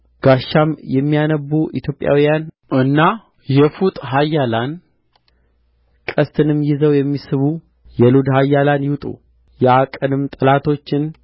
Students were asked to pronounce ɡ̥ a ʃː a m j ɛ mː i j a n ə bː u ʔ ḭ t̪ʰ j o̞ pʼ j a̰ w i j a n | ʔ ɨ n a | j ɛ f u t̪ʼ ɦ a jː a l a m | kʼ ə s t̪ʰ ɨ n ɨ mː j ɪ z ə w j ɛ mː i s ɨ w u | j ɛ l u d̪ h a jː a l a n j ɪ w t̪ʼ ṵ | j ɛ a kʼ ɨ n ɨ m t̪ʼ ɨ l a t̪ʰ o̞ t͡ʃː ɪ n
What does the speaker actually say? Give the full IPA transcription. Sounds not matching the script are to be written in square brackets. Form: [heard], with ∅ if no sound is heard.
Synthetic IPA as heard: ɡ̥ a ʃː a m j ɛ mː i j a n ə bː u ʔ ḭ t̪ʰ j o̞ pʼ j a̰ w i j a n | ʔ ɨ [nː] a | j ɛ f u t̪ʼ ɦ a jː a l a [n] | kʼ ə s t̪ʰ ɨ n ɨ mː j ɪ z ə w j ɛ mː i s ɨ [β] u | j ɛ l u d̪ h a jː a l a n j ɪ w t̪ʼ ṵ | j ɛ a kʼ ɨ n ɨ m t̪ʼ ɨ l a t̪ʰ o̞ t͡ʃː ɪ n